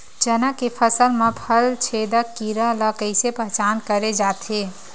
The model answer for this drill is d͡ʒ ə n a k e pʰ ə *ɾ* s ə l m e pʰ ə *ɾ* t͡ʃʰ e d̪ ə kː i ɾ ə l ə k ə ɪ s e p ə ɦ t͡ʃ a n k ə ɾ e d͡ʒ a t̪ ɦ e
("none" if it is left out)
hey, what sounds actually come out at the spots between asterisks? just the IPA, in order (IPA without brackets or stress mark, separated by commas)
none, l